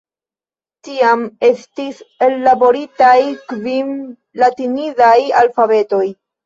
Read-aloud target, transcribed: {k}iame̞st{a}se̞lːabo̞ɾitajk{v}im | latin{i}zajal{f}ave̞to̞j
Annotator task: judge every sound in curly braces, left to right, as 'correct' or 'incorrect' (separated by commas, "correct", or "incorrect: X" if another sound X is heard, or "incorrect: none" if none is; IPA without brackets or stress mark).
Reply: incorrect: t, incorrect: i, correct, correct, correct